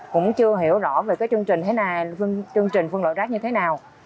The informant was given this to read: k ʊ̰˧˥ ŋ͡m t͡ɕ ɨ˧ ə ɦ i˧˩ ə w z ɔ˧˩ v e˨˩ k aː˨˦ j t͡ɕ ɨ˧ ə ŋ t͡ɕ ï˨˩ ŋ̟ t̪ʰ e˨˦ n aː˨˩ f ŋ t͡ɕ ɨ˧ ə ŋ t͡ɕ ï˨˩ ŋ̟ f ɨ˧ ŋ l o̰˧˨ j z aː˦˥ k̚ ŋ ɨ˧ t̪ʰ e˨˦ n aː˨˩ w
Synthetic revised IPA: k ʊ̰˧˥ ŋ͡m t͡ɕ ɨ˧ ə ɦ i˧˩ ə w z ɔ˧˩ v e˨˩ k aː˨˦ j t͡ɕ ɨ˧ ə ŋ t͡ɕ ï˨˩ ŋ̟ t̪ʰ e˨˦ n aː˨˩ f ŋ t͡ɕ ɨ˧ ə ŋ t͡ɕ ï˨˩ ŋ̟ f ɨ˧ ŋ l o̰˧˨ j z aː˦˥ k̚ ɲ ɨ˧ t̪ʰ e˨˦ n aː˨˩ w